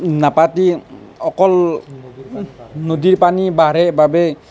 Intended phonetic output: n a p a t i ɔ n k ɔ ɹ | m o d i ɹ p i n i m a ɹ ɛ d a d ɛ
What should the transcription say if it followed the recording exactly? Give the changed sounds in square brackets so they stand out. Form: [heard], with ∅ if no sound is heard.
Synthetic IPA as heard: n a p a t i ɔ [∅] k ɔ [l] | [n] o d i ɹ p [a] n i [b] a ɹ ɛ [b] a [b] ɛ